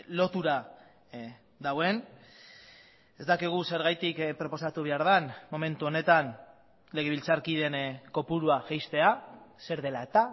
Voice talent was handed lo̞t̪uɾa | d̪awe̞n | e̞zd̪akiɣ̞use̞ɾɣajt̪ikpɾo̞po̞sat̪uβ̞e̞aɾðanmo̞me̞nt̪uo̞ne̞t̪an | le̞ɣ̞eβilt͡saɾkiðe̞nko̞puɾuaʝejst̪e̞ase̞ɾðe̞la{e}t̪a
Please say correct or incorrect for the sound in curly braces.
correct